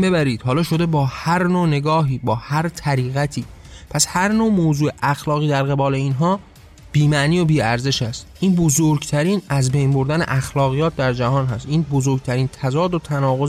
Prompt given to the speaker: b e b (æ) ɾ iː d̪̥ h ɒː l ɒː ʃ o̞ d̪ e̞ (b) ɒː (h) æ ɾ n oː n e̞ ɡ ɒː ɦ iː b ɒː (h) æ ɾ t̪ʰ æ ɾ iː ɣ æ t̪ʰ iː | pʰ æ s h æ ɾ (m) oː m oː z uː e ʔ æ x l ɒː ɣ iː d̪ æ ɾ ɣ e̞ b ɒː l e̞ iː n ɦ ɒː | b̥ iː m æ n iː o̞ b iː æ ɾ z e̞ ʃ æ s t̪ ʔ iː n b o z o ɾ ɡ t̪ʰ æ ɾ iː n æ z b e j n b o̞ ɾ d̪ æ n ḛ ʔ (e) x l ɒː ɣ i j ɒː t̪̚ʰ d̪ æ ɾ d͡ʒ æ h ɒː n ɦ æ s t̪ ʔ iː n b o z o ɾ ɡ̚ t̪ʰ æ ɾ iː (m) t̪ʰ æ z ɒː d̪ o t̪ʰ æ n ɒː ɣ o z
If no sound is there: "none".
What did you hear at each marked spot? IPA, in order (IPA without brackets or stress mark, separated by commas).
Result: æ, b, h, h, n, æ, n